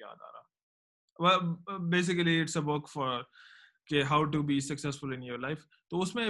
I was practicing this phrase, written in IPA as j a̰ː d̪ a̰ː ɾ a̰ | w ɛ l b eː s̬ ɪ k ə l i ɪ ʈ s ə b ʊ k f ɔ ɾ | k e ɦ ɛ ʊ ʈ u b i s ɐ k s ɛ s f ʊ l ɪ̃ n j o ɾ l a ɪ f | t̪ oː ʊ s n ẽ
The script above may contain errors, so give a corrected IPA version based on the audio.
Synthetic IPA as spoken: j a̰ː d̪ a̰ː ɾ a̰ | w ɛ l b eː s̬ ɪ k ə l i ɪ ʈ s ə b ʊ k f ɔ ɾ | k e ɦ a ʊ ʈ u b i s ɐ k s ɛ s f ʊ l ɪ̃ n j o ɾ l a ɪ f | t̪ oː ʊ s m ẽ